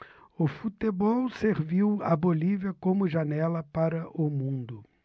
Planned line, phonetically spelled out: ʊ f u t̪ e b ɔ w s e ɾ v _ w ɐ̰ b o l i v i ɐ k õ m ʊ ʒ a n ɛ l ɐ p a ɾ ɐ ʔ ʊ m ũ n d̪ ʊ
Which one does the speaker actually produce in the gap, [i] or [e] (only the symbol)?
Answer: i